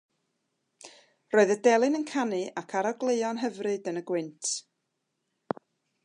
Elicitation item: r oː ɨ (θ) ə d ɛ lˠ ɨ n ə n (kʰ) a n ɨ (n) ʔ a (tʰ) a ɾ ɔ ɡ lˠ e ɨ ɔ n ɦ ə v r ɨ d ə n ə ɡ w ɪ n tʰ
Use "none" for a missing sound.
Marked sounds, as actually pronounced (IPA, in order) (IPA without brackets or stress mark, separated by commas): ð, kʰ, none, kʰ